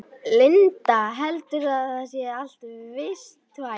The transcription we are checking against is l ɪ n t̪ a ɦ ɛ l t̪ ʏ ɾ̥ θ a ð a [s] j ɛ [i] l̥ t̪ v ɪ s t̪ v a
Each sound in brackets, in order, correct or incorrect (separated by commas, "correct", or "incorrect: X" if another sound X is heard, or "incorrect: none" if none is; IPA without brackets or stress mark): correct, incorrect: a